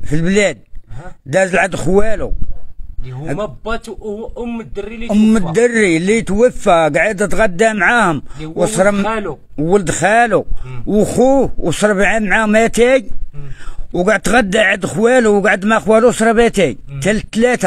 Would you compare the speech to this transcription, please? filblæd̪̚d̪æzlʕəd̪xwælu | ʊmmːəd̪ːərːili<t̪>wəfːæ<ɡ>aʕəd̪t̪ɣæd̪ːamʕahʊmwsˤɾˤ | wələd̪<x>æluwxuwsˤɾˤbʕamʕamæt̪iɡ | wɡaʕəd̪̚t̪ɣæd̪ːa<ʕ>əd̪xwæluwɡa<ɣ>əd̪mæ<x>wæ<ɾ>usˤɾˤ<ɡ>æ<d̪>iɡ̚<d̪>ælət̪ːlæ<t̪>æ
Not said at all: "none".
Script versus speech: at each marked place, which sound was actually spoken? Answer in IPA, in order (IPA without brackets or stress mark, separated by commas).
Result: t̪, ɡ, x, ʕ, ʕ, x, l, b, t̪, t̪, t̪